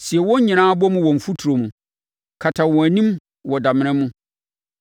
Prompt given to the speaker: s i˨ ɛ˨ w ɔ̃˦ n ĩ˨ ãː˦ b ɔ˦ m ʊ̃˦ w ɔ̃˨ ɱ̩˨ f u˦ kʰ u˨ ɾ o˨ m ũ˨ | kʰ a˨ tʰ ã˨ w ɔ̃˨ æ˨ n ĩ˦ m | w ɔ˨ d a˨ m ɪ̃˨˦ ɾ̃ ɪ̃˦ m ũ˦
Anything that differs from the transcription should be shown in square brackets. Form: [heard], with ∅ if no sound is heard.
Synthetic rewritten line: s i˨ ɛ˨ w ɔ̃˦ [ɲ] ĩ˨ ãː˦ b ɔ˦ m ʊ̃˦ w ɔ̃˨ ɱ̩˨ f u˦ [tʰ] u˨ ɾ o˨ m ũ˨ | kʰ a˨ tʰ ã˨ w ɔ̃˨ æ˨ n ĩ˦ m | w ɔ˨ d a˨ m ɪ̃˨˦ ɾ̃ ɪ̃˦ m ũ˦